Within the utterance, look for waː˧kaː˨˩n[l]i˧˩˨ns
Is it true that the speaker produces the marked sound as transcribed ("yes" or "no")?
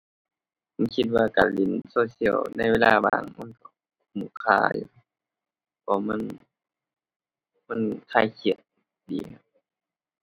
yes